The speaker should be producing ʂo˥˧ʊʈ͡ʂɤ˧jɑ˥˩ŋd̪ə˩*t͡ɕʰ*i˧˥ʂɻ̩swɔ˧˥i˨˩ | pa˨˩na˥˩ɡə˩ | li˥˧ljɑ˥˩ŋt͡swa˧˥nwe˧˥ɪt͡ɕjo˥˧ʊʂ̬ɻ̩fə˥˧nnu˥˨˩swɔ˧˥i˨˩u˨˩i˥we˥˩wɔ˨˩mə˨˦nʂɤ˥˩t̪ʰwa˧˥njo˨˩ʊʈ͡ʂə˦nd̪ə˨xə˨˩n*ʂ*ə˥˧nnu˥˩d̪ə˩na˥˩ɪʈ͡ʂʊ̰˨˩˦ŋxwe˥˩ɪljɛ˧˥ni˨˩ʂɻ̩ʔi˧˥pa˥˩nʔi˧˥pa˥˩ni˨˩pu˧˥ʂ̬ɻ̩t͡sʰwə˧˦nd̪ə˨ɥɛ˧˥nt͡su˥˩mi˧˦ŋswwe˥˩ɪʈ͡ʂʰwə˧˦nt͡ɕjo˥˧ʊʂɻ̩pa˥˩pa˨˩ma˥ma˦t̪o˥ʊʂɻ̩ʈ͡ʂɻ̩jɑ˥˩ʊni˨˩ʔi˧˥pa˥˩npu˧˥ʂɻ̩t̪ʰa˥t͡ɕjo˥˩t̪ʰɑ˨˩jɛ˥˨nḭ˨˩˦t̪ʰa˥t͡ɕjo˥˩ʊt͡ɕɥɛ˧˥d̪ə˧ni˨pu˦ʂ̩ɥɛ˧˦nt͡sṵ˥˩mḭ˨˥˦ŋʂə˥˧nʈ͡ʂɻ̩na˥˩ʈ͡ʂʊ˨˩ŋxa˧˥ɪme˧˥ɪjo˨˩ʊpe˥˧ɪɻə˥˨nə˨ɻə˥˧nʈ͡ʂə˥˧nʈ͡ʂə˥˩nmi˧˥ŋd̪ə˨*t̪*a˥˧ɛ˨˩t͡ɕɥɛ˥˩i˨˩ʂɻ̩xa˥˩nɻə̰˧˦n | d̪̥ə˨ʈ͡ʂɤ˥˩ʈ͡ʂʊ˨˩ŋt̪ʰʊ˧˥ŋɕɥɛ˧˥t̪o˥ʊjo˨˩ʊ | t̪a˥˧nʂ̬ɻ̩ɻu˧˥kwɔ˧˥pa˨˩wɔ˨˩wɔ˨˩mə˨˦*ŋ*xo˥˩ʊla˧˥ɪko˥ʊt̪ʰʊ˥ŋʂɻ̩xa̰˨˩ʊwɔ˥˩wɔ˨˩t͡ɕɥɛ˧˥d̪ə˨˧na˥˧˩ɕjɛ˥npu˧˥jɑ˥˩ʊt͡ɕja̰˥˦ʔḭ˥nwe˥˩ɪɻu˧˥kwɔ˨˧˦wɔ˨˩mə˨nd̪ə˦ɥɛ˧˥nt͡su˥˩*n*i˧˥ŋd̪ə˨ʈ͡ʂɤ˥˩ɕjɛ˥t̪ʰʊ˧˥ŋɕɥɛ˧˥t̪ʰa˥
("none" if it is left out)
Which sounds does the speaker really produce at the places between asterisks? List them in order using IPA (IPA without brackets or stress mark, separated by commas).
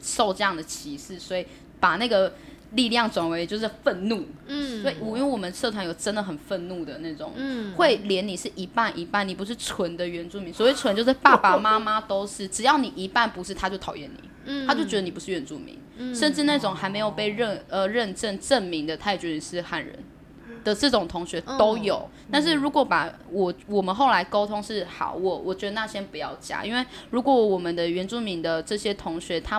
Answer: t͡ɕʰ, f, t̪ʰ, n, m